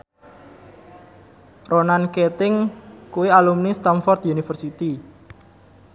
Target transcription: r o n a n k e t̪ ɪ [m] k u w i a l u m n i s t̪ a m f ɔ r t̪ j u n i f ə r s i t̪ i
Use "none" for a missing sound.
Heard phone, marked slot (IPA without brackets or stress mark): ŋ